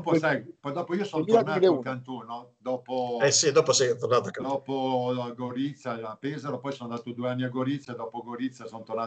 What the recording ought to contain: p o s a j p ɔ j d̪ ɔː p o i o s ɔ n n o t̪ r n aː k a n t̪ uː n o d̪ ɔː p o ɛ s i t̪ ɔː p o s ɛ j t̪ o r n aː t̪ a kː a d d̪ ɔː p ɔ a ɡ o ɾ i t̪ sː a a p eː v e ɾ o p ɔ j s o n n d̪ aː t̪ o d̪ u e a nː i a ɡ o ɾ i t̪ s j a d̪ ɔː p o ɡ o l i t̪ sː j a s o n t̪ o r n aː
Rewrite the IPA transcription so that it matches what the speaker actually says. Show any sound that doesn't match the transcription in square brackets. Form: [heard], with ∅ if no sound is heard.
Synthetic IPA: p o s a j p ɔ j d̪ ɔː p o i o s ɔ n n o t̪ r n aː k a n t̪ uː n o d̪ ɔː p o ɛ s i [d̪] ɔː p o s ɛ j t̪ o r n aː t̪ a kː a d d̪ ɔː p [o] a ɡ o ɾ i t̪ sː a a p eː [z] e ɾ o p ɔ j s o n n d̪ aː t̪ o d̪ u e a nː i a ɡ o ɾ i t̪ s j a d̪ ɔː p o ɡ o [ɾ] i t̪ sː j a s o n t̪ o r n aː